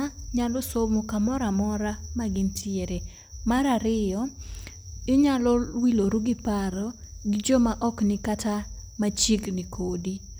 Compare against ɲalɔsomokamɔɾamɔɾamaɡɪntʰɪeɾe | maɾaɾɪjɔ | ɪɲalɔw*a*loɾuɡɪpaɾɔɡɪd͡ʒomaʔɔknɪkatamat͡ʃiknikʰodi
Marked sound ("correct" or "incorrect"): incorrect